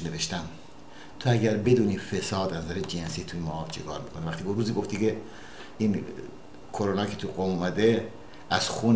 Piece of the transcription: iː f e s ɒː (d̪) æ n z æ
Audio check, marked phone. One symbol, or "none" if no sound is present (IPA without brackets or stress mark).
d̪